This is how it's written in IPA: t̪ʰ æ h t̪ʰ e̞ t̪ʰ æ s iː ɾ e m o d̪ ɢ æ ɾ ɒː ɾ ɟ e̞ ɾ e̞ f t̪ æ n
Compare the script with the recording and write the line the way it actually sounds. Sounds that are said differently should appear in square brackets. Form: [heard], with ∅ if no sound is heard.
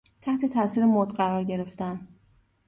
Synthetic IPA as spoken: t̪ʰ æ h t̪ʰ e̞ t̪ʰ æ s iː ɾ e m o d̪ ɢ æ ɾ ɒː ɾ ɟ e̞ ɾ e̞ f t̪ æ n